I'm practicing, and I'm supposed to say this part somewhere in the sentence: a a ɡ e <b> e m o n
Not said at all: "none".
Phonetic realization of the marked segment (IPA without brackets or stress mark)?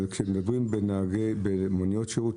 b